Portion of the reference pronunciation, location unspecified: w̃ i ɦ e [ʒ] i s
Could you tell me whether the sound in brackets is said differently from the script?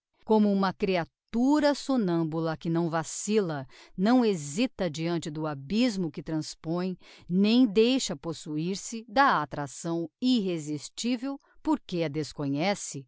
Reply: yes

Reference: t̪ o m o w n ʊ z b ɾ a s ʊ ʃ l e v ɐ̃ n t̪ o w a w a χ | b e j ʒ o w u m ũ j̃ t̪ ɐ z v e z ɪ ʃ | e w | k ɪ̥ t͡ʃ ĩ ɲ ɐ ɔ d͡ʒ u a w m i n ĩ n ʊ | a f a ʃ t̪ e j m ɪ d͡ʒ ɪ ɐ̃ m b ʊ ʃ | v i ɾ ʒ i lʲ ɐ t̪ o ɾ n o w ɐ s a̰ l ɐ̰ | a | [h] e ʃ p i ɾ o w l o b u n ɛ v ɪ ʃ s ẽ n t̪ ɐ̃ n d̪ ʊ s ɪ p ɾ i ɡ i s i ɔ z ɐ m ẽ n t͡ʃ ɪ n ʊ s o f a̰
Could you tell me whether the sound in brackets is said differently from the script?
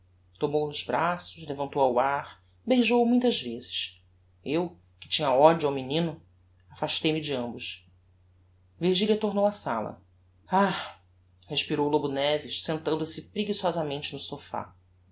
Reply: no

